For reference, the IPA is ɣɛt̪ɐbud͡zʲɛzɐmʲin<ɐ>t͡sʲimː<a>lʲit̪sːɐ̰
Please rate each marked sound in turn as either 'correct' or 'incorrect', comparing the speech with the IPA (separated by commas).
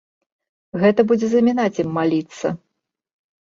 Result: incorrect, correct